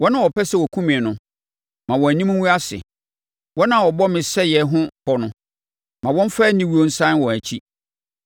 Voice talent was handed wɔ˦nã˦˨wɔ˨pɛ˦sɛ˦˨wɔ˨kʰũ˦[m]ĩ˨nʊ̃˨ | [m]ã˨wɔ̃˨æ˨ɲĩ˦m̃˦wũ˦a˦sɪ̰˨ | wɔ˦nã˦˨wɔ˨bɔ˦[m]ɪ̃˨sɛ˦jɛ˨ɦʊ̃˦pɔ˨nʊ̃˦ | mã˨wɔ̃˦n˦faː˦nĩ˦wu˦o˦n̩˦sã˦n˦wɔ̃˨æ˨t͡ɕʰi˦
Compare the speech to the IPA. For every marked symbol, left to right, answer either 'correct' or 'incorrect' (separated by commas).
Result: correct, correct, correct